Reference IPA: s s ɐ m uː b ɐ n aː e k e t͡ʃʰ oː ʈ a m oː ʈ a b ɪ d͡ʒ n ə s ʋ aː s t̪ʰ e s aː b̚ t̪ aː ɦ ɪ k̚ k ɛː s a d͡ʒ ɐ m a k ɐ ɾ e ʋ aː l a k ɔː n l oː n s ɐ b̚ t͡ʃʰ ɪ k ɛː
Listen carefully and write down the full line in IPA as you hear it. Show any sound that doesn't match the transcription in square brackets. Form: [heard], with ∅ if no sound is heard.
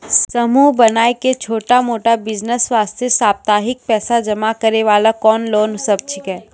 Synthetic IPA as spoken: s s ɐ m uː b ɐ n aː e k e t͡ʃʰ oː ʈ a m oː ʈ a b ɪ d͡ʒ n ə s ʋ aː s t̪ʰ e s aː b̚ t̪ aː ɦ ɪ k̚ [p] ɛː s a d͡ʒ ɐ m a k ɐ ɾ e ʋ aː l a k ɔː n l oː n s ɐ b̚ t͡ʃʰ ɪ k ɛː